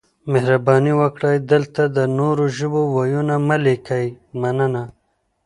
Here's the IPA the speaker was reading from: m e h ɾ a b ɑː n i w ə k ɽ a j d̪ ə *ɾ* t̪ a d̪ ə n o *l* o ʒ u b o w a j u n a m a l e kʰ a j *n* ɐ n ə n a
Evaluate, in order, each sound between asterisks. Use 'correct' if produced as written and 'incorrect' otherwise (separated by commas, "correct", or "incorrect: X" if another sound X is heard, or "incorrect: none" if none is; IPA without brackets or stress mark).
incorrect: l, incorrect: ɾ, incorrect: m